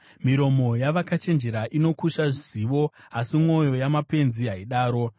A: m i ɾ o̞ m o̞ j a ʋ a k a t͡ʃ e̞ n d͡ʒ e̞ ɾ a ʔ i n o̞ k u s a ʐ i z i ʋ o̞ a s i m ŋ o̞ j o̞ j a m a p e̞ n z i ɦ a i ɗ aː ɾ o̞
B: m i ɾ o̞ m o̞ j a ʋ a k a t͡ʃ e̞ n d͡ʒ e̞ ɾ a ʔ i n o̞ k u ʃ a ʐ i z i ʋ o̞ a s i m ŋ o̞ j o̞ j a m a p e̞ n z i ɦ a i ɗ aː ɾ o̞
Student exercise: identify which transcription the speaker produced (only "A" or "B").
B